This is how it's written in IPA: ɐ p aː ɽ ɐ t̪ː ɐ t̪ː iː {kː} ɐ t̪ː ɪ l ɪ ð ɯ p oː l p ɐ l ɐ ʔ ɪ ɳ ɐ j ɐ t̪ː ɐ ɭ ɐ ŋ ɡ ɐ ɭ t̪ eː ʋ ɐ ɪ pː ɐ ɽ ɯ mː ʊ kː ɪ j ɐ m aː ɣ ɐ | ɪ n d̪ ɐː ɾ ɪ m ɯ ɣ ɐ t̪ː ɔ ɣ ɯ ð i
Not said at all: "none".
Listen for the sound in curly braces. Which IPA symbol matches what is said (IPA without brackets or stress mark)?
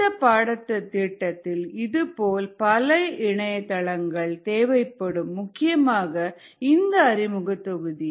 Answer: ʈː